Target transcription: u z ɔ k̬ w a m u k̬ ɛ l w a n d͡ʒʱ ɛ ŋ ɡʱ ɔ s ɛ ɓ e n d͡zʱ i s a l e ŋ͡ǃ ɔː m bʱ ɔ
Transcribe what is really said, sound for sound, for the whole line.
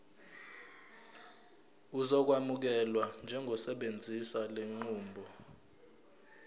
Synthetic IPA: u z ɔ k̬ w a m u k̬ ɛ l w a n d͡ʒʱ ɛ ŋ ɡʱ ɔ s ɛ ɓ e n d͡zʱ i s a l e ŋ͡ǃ uː m bʱ ɔ